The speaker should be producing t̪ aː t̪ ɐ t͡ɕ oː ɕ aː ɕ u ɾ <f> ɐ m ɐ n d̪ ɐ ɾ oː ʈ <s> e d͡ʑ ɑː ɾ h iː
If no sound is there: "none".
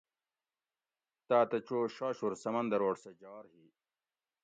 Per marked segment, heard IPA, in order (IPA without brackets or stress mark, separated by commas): s, s